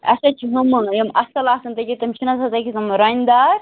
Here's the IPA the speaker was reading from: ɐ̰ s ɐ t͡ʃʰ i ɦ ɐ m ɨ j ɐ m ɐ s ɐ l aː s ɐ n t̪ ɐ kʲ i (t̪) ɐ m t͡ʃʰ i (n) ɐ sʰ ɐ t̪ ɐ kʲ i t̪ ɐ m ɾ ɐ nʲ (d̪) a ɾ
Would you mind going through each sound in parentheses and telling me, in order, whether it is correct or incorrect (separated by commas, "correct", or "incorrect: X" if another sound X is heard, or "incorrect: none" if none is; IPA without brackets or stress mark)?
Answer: correct, correct, correct